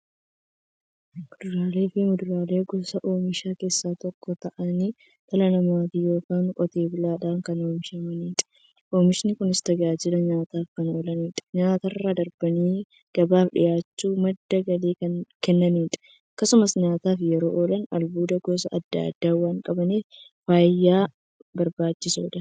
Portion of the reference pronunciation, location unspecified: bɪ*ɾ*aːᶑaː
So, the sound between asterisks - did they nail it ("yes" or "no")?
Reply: no